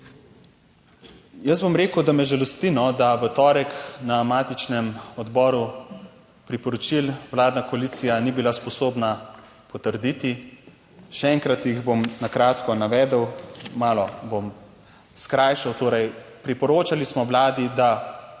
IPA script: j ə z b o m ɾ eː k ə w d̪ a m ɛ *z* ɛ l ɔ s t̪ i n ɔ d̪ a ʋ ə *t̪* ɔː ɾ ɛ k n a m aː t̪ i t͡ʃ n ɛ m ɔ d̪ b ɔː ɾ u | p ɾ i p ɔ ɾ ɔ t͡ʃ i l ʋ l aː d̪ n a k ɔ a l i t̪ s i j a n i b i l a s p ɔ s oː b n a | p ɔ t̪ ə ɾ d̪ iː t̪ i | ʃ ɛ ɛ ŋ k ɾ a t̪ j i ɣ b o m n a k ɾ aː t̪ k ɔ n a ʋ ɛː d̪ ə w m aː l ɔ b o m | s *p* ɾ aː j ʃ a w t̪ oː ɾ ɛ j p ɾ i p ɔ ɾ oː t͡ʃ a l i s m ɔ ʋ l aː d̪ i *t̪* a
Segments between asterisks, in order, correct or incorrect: incorrect, correct, incorrect, incorrect

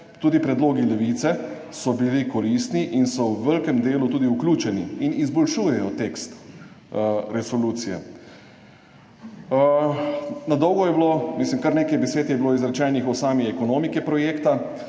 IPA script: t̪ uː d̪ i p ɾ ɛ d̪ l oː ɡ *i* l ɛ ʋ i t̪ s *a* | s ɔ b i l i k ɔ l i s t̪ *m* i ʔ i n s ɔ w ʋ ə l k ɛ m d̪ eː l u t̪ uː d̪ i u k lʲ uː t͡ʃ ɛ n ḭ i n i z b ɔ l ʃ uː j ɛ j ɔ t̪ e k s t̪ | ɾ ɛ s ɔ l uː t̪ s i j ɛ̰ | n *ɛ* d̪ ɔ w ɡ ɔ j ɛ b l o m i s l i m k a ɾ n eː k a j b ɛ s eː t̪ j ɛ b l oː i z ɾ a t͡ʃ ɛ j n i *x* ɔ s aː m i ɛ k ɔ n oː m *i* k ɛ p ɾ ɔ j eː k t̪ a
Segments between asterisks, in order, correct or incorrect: correct, incorrect, incorrect, incorrect, correct, correct

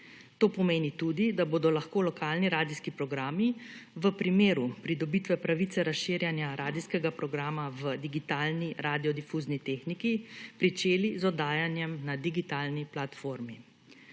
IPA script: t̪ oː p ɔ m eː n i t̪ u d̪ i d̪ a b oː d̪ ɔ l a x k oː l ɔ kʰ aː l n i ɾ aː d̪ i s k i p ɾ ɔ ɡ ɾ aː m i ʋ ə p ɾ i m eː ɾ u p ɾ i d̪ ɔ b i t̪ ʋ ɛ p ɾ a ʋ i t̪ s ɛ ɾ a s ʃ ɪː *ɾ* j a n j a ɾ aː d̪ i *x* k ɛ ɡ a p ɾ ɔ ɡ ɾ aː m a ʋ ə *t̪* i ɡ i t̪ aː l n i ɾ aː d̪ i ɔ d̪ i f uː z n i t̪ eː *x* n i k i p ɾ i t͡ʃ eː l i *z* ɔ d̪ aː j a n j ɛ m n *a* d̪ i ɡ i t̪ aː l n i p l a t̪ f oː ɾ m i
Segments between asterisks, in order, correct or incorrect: correct, incorrect, incorrect, correct, correct, correct

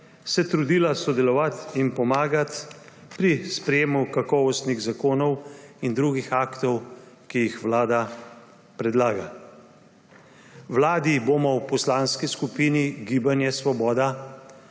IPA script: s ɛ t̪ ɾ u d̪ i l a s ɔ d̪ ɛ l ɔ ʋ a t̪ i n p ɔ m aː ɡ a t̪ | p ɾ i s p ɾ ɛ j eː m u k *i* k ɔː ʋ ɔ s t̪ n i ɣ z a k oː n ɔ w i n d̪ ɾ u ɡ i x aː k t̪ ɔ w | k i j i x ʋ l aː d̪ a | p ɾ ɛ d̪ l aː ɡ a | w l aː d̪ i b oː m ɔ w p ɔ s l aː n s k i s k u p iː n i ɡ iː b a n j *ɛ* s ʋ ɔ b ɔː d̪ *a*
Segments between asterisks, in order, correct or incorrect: incorrect, correct, correct

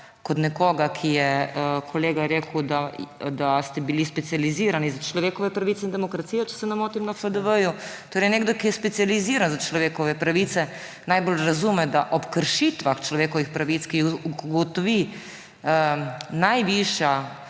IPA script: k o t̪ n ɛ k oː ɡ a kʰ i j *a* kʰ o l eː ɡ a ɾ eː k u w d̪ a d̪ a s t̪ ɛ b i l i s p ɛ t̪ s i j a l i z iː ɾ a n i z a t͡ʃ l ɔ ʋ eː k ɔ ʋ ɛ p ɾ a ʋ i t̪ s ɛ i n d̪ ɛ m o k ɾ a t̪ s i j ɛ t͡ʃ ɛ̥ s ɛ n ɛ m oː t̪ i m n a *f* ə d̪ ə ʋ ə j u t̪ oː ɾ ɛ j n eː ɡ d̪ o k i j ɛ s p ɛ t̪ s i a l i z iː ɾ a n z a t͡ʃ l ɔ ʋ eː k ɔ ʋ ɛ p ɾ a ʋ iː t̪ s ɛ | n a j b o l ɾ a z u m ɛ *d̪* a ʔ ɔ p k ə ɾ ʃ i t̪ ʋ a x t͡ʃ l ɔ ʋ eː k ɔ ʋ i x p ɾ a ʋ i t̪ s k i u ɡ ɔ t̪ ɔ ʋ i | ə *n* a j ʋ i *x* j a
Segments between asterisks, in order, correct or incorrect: incorrect, correct, correct, correct, incorrect

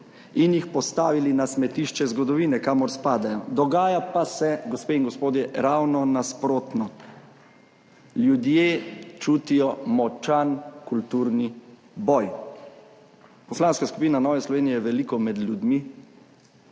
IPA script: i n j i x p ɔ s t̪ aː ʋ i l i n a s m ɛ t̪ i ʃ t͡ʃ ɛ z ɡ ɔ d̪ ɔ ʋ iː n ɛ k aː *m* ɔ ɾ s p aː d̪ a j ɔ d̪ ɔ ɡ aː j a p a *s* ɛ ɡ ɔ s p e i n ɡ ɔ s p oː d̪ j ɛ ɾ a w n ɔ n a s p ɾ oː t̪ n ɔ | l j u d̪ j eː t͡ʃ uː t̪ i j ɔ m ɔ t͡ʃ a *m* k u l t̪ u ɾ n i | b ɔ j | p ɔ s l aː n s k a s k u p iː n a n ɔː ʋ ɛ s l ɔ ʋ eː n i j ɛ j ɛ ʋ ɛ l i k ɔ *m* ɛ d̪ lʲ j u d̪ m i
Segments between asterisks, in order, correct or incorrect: correct, correct, incorrect, correct

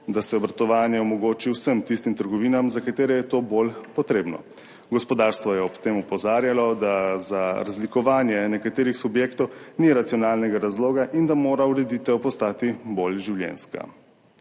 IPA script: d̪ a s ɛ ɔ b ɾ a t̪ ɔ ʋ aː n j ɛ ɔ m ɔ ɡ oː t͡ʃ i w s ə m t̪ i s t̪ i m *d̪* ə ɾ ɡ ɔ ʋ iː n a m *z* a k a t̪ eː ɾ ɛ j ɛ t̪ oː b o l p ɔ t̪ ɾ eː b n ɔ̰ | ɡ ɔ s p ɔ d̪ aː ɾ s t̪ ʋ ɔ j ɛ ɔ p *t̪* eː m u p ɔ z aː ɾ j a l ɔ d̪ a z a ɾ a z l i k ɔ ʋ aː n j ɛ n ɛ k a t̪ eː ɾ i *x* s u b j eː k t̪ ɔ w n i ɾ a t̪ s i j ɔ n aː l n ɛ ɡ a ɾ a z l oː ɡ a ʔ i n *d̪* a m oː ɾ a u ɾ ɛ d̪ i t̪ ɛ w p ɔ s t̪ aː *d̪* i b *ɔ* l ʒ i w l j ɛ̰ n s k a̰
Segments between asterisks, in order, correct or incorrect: incorrect, correct, correct, correct, correct, incorrect, incorrect

